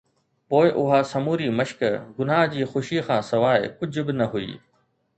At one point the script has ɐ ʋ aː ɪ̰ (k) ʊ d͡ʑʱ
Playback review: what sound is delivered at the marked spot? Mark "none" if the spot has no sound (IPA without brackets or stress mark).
k